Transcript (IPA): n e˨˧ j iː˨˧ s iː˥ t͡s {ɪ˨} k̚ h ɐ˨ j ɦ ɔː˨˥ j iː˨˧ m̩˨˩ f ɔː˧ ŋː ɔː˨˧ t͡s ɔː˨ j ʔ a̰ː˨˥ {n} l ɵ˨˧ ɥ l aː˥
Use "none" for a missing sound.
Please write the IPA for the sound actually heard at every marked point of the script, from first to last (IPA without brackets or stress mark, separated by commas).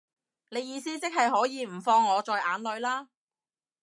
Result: ɪ˥, n